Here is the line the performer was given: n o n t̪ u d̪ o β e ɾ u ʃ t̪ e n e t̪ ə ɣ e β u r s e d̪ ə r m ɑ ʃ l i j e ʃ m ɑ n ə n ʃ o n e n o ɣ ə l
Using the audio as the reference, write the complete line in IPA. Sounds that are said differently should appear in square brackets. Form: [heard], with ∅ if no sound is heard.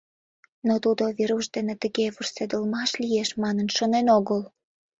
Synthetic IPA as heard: n o [∅] t̪ u d̪ o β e ɾ u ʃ [d̪] e n e t̪ ə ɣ e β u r s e d̪ ə [l] m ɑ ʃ l i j e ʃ m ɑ n ə n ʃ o n e n o ɣ ə l